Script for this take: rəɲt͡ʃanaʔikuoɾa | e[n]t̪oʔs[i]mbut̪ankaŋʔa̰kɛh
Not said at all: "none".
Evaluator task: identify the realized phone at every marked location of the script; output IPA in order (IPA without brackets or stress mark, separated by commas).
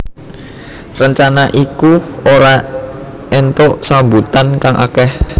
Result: n, a